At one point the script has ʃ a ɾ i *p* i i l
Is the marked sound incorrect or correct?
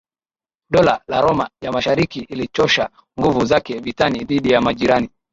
incorrect